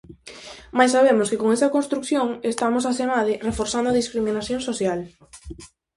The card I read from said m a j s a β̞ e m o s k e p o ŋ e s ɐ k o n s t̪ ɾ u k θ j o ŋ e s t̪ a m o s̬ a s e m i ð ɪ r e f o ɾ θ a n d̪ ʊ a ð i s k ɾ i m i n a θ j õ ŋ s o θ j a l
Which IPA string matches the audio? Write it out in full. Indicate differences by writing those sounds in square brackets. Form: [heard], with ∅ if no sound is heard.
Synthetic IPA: m a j s a β̞ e m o s k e [k] o ŋ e s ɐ k o n s t̪ ɾ u k θ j o ŋ e s t̪ a m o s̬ a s e m [a] ð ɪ r e f o ɾ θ a n d̪ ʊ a ð i s k ɾ i m i n a θ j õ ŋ s o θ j a l